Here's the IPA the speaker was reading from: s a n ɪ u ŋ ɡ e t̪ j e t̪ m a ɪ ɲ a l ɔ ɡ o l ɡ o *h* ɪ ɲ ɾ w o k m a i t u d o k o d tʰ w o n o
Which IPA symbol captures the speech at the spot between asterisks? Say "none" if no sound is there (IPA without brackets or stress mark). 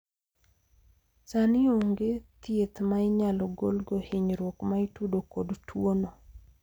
h